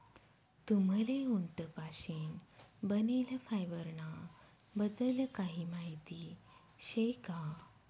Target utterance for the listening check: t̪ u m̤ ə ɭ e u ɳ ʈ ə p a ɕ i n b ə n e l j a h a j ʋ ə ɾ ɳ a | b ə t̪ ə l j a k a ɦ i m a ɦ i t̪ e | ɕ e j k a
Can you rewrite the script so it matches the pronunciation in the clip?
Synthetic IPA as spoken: t̪ u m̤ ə l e u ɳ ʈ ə p a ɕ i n b ə n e l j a f a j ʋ ə ɾ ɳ a | b ə d̪ ə l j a k a ɦ i m a ɦ i t̪ i | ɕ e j k a